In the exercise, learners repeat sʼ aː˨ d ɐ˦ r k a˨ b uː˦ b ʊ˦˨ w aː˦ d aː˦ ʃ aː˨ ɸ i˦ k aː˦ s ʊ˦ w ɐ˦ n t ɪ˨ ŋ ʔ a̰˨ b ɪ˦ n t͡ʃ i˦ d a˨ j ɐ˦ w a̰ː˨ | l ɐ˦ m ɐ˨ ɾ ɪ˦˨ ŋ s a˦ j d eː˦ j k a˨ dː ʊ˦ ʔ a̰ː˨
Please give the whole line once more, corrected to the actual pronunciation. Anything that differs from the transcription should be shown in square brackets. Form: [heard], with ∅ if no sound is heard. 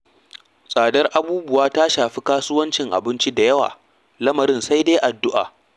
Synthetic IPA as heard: sʼ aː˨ d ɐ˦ r [ʔ] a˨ b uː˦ b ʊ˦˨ w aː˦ [t] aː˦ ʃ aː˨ ɸ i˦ k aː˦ s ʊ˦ w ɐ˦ n [t͡ʃ] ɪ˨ ŋ ʔ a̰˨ b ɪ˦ n t͡ʃ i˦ d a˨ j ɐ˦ w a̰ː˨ | l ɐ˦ m ɐ˨ ɾ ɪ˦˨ [n] s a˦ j d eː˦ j [ʔ] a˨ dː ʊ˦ ʔ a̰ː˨